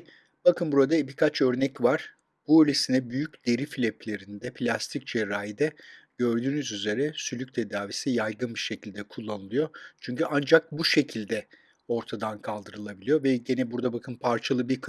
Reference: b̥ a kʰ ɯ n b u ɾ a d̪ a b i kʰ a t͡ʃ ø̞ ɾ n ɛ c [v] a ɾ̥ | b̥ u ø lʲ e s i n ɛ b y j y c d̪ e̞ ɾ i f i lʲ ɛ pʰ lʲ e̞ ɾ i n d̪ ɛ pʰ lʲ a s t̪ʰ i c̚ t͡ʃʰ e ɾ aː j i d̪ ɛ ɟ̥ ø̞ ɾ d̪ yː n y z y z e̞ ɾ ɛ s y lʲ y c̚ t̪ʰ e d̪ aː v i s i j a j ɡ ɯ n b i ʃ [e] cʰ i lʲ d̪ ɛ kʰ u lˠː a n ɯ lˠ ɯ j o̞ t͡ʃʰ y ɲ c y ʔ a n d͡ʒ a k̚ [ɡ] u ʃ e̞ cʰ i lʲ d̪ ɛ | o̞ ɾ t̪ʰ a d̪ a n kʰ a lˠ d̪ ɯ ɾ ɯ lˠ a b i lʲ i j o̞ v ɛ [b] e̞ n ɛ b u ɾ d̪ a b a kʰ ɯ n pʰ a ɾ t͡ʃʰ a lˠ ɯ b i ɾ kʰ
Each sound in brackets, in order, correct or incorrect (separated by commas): correct, correct, incorrect, incorrect